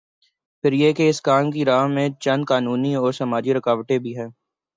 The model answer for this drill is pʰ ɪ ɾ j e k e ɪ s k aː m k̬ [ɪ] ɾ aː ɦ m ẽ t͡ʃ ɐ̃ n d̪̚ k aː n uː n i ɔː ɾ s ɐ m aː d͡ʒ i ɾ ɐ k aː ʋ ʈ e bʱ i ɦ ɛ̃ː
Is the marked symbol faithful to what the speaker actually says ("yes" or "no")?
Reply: no